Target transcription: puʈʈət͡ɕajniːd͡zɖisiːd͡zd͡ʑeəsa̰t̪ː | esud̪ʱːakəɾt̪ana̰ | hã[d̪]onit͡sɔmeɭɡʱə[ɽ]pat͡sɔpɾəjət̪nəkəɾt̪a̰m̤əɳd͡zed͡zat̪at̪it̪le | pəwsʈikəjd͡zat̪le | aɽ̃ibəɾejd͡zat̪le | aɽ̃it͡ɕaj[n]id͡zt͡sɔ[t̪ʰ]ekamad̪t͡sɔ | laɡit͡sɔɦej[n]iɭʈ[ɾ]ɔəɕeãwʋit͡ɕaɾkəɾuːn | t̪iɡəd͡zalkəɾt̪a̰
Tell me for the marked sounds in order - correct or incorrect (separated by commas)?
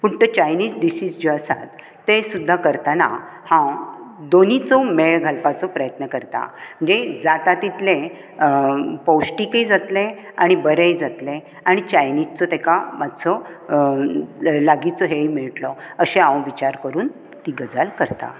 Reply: correct, incorrect, correct, incorrect, incorrect, incorrect